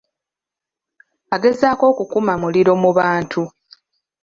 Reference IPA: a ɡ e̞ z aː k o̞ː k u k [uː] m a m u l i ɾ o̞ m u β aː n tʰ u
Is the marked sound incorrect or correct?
incorrect